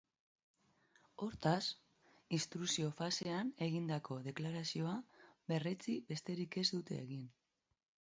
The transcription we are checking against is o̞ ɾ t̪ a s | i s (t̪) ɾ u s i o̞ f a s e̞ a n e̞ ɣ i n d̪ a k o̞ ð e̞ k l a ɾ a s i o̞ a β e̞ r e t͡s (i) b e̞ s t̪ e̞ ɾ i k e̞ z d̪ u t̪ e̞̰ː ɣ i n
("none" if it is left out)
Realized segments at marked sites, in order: t̪, i

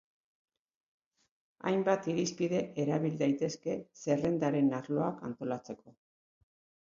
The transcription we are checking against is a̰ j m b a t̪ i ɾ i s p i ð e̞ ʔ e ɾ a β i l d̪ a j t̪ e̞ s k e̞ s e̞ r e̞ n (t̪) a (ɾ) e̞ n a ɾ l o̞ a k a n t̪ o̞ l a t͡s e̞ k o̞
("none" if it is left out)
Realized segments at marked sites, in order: d̪, ɾ

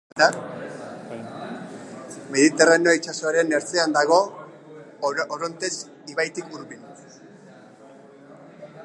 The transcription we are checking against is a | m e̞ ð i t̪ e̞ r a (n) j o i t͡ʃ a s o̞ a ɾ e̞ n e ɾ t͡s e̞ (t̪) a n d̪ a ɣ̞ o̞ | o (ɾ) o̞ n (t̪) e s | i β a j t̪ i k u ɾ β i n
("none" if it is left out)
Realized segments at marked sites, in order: n, none, ɾ, t̪

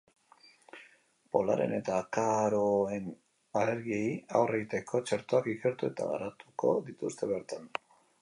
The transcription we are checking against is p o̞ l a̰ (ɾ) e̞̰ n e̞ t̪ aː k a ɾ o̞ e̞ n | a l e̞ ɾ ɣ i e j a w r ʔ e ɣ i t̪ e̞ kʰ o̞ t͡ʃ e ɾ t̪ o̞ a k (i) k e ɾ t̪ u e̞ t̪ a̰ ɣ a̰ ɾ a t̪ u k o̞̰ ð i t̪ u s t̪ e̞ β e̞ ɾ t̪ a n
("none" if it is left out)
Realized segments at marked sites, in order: ɾ, i

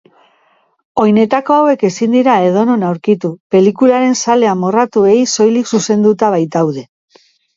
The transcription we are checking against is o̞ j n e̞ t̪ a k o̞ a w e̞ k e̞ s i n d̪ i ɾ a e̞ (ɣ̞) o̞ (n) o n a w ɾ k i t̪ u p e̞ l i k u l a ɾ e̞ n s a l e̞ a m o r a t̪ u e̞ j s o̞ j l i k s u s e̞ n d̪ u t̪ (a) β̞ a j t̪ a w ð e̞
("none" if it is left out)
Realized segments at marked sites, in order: ð̞, n, a

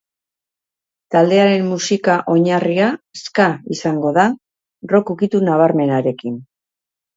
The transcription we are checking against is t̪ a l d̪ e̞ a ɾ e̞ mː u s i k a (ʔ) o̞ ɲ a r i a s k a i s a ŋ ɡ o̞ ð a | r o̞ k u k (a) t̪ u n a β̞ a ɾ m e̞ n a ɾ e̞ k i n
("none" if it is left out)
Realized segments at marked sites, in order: ʔ, i

